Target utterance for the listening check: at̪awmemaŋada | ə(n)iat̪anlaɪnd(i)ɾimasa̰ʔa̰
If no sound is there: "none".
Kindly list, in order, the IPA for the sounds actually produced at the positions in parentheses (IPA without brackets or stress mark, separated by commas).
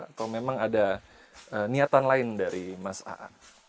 n, a